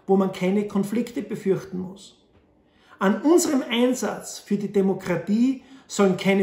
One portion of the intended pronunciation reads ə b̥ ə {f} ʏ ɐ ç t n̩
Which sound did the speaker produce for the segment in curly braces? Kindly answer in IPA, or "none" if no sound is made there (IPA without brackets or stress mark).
f